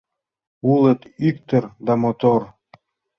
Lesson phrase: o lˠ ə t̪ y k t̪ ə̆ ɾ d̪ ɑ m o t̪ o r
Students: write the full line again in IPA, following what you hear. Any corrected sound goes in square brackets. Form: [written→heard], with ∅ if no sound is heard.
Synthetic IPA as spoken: [o→u] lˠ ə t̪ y k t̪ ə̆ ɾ d̪ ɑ m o t̪ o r